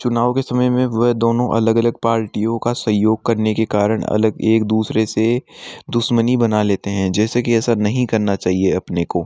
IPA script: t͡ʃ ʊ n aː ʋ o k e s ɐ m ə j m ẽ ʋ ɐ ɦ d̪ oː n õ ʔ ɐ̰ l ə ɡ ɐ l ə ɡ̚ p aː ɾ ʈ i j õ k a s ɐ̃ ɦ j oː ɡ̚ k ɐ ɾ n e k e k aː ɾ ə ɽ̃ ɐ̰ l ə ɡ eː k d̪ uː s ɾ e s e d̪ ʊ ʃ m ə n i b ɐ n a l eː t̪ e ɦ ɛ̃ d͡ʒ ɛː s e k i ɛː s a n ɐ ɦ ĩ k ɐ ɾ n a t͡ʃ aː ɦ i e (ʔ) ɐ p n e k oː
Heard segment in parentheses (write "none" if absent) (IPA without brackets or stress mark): none